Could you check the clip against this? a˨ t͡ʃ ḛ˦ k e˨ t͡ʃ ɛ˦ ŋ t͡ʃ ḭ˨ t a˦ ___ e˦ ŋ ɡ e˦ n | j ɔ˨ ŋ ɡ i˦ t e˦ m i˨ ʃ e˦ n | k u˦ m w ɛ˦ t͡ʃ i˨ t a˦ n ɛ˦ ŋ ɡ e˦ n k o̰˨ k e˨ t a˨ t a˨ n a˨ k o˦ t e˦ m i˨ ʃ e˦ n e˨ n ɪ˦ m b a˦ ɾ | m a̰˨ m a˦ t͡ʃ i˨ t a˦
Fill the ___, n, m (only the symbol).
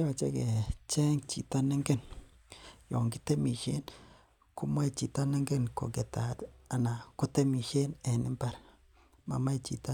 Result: n